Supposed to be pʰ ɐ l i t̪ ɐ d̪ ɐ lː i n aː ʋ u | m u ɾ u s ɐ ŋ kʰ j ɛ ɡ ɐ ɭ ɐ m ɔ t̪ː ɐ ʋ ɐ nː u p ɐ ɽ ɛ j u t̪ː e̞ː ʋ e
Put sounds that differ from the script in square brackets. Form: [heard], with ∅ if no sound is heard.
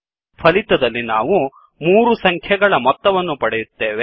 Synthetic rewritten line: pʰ ɐ l i t̪ ɐ d̪ ɐ lː i n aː ʋ u | m [uː] ɾ u s ɐ ŋ kʰ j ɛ ɡ ɐ ɭ ɐ m ɔ t̪ː ɐ ʋ ɐ nː u p ɐ ɽ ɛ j u t̪ː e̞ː ʋ e